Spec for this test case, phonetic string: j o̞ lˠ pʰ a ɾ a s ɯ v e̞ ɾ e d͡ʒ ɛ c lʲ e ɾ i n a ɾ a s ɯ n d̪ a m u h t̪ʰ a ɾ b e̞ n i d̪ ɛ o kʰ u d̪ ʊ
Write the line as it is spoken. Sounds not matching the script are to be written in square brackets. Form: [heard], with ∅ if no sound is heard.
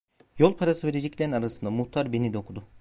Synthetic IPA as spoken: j o̞ lˠ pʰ a ɾ a s ɯ v e̞ ɾ e d͡ʒ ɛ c lʲ e ɾ i n a ɾ a s ɯ n d̪ a m u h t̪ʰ a ɾ b e̞ n i d̪ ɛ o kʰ u d̪ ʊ